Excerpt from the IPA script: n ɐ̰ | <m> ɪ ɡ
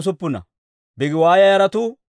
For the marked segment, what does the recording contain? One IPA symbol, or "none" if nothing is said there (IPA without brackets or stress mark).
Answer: b